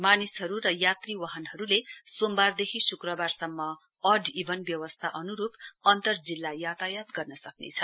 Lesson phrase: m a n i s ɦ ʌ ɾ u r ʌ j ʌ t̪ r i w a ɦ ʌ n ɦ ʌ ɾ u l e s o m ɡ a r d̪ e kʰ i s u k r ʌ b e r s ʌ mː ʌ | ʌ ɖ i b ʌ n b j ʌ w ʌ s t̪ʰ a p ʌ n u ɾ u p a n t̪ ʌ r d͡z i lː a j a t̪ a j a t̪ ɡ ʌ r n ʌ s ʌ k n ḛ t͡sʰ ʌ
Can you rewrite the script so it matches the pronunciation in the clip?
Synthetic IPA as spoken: m a n i s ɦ ʌ ɾ u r ʌ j a t̪ r i w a ɦ ʌ n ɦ ʌ ɾ u l e s o m b a r d̪ e kʰ i s u k r ʌ b a r s ʌ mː ʌ | ʌ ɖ i b ʌ n b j ʌ w ʌ s t̪ʰ a ʔ ʌ n u ɾ u p ʌ n t̪ ʌ r d͡z i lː a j a t̪ a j a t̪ ɡ ʌ r n ʌ s ʌ k n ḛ t͡sʰ ʌ